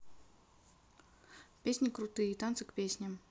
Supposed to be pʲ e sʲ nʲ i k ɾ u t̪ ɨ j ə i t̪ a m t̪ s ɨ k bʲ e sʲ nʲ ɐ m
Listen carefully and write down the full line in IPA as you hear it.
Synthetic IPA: pʲ e sʲ nʲ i k ɾ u t̪ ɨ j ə i t̪ a n t̪ s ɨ k pʲ e sʲ nʲ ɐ m